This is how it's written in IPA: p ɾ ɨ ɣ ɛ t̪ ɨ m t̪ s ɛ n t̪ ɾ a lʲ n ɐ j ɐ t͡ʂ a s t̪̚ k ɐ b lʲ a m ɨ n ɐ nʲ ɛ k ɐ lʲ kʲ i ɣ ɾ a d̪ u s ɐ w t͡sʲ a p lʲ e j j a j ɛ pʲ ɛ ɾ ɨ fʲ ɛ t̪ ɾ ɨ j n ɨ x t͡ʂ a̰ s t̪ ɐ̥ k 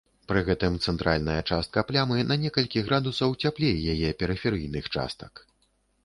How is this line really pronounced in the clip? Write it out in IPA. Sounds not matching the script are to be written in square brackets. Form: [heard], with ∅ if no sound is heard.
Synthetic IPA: p ɾ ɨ ɣ ɛ t̪ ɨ m t̪ s ɛ n t̪ ɾ a lʲ n ɐ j ɐ t͡ʂ a s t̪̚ k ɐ [p] lʲ a m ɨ n ɐ nʲ ɛ k ɐ lʲ kʲ i ɣ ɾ a d̪ u s ɐ w t͡sʲ a p lʲ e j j a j ɛ pʲ ɛ ɾ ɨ fʲ ɛ [∅] ɾ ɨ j n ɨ x t͡ʂ a̰ s t̪ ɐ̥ k